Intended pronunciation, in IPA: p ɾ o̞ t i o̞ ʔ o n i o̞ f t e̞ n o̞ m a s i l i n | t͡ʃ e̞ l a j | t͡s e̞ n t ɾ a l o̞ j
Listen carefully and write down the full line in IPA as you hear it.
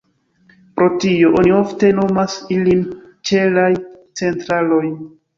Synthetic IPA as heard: p ɾ o̞ t i o̞ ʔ o n i o̞ f t e̞ n o̞ m a s i l i n | t͡ʃ e̞ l a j | t͡s e̞ n t ɾ a l o̞ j